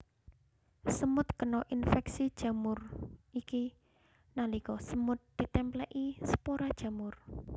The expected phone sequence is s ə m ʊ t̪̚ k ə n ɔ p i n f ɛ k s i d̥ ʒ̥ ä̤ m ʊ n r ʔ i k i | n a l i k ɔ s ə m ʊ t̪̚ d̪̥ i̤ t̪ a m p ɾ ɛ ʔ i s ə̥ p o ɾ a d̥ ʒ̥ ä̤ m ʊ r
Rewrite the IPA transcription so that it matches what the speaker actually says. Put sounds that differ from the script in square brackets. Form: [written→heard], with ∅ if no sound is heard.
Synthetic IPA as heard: s ə m ʊ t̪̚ k ə n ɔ [p→ʔ] i n f ɛ k s i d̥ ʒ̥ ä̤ m ʊ [n→∅] r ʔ i k i | n a l i k ɔ s ə m ʊ t̪̚ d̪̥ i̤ t̪ [a→ɛ] m p [ɾ→l] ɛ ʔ i s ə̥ p o ɾ a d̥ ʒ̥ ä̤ m ʊ r